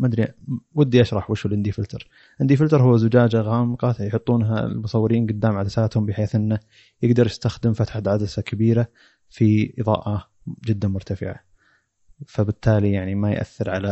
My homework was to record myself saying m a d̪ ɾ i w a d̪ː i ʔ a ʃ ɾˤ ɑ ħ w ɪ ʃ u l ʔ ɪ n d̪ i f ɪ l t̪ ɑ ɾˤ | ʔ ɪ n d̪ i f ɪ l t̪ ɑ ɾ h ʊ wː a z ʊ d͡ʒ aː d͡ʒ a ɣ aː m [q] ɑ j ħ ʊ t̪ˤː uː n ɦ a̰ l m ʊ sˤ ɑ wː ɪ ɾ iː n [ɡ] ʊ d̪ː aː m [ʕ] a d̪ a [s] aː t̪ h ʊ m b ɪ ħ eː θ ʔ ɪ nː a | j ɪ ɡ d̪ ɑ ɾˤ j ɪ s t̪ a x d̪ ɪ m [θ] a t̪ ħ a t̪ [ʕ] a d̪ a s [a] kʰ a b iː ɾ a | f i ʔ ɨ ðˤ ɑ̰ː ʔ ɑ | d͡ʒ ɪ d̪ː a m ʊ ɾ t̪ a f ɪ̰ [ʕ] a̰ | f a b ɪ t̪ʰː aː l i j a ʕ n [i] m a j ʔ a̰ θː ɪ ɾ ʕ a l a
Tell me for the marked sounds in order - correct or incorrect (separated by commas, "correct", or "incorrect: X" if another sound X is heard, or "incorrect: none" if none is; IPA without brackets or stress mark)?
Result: correct, correct, correct, correct, incorrect: f, correct, correct, correct, correct